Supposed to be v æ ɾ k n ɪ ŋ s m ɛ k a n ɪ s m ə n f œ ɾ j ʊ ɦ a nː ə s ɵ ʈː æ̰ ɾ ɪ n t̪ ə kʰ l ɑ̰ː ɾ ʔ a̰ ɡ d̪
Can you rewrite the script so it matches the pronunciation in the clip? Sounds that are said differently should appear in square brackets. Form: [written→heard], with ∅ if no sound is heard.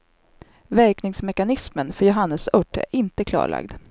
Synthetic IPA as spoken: v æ ɾ k n ɪ ŋ s m ɛ k a n ɪ s m ə n f œ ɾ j ʊ ɦ a nː ə s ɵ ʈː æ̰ ɾ ɪ n t̪ ə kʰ l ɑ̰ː [ɾ→ɭ] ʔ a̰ ɡ d̪